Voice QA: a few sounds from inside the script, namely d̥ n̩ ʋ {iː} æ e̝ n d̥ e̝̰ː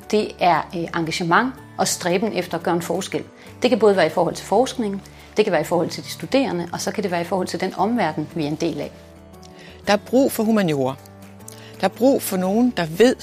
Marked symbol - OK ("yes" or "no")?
no